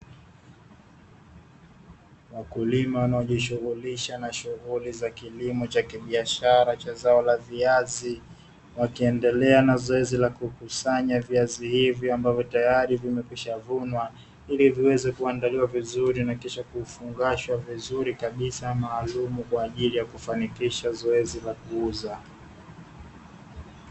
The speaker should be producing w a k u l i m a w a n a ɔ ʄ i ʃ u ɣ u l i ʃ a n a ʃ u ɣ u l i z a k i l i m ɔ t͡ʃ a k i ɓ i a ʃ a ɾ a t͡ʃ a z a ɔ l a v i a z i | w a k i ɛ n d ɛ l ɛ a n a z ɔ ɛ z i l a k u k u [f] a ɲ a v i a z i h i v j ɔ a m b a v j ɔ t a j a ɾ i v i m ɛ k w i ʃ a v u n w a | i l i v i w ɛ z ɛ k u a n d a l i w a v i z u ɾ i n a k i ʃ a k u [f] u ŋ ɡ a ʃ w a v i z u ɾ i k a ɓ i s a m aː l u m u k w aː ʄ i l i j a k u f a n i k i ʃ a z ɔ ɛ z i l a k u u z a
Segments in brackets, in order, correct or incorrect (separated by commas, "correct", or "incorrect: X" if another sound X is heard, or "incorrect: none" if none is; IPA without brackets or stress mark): incorrect: s, correct